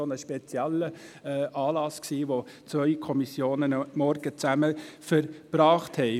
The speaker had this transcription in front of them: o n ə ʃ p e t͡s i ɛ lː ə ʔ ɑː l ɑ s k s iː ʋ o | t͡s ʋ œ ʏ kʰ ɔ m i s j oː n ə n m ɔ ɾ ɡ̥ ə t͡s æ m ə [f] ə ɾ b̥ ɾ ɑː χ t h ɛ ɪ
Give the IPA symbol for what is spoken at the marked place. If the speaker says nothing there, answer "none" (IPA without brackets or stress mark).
f